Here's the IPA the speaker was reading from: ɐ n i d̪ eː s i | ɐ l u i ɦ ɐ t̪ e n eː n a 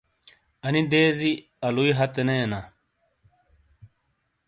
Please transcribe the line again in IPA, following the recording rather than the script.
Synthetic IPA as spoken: ɐ n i d̪ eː z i | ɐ l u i ɦ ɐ t̪ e n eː n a